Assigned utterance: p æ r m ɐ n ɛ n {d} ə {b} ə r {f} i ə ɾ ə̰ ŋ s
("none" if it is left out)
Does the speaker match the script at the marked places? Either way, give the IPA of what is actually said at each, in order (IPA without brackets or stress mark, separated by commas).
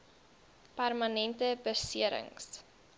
t, b, s